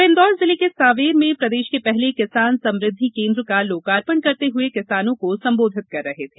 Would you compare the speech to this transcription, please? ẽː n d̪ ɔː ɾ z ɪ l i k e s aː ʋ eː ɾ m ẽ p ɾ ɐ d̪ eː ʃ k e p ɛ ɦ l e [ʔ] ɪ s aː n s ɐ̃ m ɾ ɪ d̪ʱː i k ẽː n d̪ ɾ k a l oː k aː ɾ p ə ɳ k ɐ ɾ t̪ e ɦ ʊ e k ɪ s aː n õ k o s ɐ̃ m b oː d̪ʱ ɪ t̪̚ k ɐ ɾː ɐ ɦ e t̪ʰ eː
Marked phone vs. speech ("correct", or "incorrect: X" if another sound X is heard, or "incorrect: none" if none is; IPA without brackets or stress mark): incorrect: k